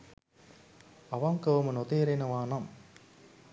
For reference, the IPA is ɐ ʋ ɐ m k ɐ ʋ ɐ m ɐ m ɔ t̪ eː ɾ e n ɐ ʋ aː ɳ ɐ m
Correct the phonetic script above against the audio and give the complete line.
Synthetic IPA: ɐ ʋ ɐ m k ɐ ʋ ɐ m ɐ n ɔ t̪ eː ɾ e n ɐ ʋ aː n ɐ m